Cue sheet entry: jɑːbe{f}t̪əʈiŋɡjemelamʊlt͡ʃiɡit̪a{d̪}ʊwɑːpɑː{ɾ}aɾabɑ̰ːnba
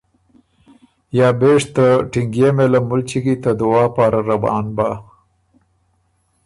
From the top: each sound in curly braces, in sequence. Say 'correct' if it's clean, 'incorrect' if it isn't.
incorrect, correct, correct

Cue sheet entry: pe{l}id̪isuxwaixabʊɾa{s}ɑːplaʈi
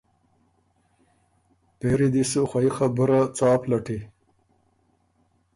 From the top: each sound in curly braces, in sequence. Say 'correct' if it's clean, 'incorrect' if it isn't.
incorrect, incorrect

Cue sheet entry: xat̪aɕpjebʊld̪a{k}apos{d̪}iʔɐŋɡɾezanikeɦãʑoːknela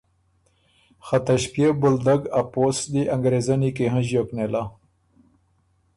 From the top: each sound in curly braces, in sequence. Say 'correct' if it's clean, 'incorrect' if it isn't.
incorrect, correct

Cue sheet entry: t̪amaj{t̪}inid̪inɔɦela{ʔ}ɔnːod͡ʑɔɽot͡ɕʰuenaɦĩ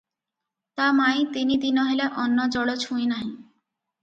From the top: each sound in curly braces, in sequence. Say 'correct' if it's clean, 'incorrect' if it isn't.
correct, correct

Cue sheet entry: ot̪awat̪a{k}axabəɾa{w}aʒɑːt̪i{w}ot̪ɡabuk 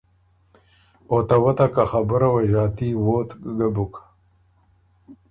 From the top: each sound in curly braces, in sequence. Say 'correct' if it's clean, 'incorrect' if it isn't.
correct, correct, correct

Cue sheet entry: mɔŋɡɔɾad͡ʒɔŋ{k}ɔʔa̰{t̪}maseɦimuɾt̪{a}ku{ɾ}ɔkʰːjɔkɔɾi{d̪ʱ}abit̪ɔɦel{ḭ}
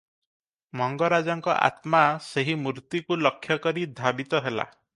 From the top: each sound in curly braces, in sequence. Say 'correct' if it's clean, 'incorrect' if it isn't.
correct, correct, incorrect, incorrect, correct, incorrect

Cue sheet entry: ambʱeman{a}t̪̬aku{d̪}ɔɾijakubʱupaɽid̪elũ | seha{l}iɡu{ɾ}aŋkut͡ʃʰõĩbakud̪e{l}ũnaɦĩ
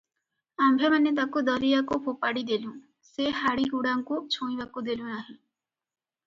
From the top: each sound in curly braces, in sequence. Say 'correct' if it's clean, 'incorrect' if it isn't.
incorrect, correct, incorrect, incorrect, correct

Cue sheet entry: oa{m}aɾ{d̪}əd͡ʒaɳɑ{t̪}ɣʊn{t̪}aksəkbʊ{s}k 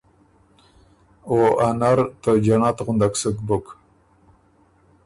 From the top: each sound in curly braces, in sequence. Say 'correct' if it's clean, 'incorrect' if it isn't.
incorrect, incorrect, correct, incorrect, incorrect

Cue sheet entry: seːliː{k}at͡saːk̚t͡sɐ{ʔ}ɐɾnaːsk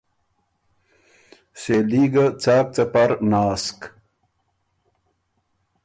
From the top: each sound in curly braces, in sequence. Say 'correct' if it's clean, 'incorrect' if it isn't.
incorrect, incorrect

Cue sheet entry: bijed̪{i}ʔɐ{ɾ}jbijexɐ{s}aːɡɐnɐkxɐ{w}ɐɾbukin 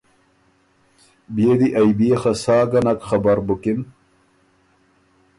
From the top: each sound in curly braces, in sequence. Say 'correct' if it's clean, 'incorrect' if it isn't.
correct, incorrect, correct, incorrect

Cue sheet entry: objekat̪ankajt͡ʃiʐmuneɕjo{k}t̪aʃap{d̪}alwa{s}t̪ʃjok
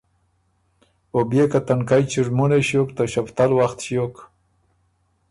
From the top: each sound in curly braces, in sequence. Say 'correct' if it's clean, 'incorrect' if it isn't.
correct, incorrect, incorrect

